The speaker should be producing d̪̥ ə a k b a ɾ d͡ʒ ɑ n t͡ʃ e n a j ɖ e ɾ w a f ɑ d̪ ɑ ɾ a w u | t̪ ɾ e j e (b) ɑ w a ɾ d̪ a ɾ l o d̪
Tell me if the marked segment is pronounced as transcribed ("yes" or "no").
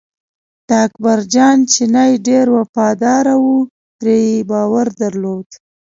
yes